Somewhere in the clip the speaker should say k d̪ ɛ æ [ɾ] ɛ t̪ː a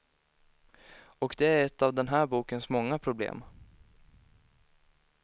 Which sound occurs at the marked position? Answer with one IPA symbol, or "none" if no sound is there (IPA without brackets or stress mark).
ɾ